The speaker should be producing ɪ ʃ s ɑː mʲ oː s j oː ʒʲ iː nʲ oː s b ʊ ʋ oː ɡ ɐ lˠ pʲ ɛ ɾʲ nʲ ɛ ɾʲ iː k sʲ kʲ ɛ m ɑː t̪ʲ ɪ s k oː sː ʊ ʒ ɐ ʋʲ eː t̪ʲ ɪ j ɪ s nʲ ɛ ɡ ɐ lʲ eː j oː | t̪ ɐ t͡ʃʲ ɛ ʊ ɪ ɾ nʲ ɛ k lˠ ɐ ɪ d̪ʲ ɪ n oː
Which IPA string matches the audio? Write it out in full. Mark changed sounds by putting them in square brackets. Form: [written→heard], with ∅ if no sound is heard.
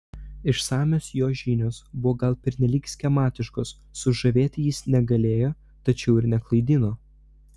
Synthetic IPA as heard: ɪ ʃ s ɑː mʲ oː s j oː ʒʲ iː nʲ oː s b ʊ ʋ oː ɡ ɐ lˠ pʲ ɛ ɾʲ nʲ ɛ [ɾʲ→lʲ] iː k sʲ kʲ ɛ m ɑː t̪ʲ ɪ [s→ʃ] k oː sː ʊ ʒ ɐ ʋʲ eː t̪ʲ ɪ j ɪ s nʲ ɛ ɡ ɐ lʲ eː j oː | t̪ ɐ t͡ʃʲ ɛ ʊ ɪ ɾ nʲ ɛ k lˠ ɐ ɪ d̪ʲ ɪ n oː